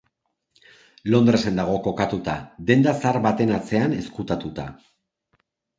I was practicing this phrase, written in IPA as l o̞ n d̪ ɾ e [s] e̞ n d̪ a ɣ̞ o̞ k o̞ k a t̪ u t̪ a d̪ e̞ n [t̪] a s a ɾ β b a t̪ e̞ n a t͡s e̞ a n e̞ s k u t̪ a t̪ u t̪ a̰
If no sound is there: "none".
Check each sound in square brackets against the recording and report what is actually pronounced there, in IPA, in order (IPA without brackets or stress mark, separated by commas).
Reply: s, d̪